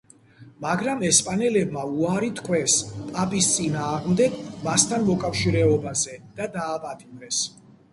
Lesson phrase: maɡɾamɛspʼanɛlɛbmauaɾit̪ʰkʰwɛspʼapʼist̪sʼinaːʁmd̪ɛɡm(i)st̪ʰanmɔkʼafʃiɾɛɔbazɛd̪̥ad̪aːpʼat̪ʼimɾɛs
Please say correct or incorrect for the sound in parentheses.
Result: incorrect